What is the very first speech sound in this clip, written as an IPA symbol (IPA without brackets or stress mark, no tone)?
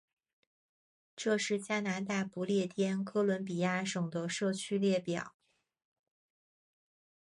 ʈ͡ʂ